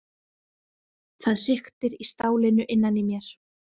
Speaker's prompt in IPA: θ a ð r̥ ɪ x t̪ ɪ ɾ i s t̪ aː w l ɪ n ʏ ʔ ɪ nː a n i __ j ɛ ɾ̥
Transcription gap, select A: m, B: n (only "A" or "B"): A